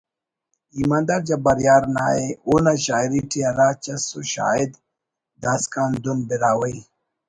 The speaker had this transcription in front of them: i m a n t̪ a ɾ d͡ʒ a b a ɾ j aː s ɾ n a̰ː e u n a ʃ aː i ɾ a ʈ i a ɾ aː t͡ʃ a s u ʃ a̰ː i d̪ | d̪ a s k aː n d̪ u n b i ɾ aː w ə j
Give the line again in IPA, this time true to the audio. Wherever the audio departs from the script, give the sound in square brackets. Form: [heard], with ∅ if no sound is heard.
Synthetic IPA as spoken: i m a n [d̪] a ɾ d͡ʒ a b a ɾ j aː [∅] ɾ n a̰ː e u n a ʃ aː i ɾ [i] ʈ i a ɾ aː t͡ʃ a s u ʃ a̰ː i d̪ | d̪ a s k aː n d̪ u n b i ɾ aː w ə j